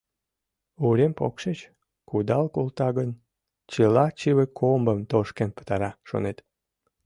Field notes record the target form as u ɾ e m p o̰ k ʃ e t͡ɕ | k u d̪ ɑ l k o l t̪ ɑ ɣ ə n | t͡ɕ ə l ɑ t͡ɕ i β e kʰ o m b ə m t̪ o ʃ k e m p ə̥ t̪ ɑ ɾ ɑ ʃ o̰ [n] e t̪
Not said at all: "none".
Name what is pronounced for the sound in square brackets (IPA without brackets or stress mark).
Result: n